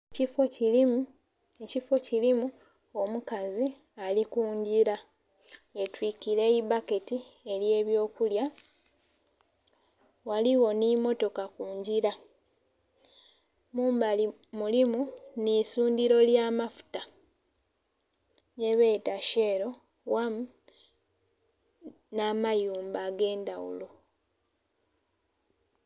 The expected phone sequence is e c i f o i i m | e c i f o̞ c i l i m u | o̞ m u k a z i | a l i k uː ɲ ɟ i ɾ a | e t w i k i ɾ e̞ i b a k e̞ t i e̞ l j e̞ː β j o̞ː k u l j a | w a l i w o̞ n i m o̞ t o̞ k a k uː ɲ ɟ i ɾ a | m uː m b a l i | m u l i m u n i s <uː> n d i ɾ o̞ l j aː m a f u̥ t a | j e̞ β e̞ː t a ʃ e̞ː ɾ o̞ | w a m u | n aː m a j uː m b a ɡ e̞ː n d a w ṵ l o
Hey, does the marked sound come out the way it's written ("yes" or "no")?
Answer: yes